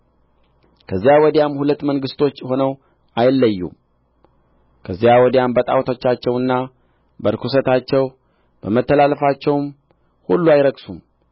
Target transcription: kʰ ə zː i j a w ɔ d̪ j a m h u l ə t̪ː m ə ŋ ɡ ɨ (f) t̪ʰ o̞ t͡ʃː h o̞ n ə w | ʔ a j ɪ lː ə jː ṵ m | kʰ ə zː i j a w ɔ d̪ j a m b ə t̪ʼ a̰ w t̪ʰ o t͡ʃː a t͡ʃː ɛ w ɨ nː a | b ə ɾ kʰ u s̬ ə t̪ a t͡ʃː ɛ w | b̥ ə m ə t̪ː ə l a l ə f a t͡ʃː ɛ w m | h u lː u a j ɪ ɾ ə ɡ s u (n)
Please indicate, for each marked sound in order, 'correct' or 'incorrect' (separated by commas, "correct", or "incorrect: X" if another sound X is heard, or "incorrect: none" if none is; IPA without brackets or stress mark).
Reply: incorrect: s, incorrect: m